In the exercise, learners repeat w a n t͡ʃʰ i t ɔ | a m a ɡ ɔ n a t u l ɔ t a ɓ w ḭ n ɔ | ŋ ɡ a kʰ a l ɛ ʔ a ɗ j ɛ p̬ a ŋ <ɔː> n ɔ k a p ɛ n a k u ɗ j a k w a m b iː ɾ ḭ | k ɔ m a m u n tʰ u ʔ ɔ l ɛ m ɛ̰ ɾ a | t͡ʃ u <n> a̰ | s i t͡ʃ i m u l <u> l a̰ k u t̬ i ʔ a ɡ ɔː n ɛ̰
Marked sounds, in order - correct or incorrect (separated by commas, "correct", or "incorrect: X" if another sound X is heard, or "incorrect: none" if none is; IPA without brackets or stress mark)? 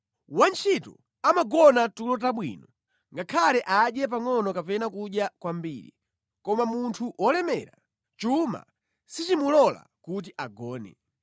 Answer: incorrect: ɔ, incorrect: m, incorrect: ɔ